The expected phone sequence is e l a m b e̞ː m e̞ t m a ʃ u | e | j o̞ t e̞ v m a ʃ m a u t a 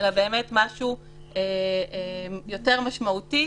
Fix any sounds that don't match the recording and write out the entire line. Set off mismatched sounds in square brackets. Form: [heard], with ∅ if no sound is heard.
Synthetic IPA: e l a [∅] b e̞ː m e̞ t m a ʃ u | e | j o̞ t e̞ [ʁ] m a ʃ m a u t [i]